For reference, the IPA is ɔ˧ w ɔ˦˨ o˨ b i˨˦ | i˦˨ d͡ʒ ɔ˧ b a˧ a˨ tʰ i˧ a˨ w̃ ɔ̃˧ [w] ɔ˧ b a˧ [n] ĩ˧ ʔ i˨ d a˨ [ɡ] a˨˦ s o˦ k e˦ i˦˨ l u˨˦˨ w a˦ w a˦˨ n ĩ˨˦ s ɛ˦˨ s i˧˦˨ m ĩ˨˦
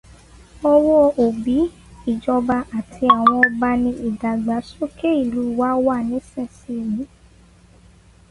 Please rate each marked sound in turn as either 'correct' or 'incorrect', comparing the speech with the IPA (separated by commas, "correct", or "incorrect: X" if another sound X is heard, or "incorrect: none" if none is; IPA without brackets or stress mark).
incorrect: none, correct, incorrect: ɡ͡b